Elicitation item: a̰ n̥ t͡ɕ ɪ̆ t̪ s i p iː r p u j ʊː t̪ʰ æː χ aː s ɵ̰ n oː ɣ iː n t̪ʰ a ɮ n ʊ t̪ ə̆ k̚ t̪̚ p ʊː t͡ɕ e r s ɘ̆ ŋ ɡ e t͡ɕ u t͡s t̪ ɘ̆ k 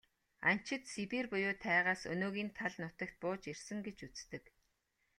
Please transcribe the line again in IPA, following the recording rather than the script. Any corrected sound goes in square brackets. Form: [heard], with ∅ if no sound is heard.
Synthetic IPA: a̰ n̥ t͡ɕ ɪ̆ t̪ s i p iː r p [ʊ] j ʊː t̪ʰ æː [ʁ] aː s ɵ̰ n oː ɣ iː n t̪ʰ a ɮ n ʊ t̪ ə̆ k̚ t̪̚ p ʊː t͡ɕ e r s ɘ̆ ŋ ɡ e t͡ɕ u t͡s t̪ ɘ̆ k